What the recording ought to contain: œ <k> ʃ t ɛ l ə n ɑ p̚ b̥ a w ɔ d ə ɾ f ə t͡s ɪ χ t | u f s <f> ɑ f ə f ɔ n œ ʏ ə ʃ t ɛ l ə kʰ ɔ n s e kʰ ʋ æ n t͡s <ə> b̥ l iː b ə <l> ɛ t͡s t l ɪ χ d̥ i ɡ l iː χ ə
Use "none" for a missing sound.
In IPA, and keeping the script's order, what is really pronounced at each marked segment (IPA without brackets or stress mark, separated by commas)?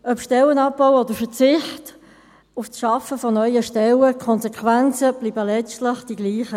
p, ʃ, ə, l